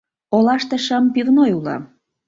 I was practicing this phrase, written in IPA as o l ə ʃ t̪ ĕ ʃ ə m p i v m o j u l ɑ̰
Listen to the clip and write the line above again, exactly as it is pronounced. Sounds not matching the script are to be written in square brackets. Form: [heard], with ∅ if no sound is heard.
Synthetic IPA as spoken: o l [ɑ] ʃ t̪ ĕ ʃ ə m p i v [n] o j u l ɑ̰